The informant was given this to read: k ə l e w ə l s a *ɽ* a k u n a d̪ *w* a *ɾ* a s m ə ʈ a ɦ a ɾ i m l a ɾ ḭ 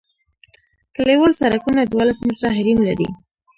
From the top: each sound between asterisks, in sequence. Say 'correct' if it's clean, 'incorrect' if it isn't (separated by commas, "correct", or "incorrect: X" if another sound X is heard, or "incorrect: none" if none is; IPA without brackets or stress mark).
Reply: incorrect: ɾ, correct, incorrect: l